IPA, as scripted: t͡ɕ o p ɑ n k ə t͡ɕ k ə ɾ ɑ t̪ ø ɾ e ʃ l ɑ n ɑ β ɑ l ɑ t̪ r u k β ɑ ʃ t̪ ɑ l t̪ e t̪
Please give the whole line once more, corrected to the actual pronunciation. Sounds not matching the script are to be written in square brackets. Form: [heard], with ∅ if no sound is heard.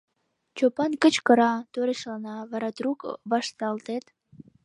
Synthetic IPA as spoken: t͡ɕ o p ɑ n k ə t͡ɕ k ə ɾ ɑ t̪ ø ɾ e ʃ l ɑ n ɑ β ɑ [ɾ] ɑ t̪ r u k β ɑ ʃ t̪ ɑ l t̪ e t̪